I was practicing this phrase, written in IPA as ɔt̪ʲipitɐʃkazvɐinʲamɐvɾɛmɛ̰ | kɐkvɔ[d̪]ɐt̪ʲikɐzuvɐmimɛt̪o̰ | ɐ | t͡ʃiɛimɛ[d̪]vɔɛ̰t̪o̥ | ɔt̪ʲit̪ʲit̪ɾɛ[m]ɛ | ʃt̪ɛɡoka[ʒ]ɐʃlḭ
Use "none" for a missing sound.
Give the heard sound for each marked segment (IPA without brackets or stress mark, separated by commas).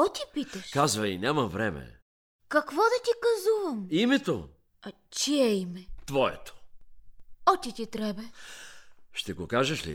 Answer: d̪, t̪, b, ʒ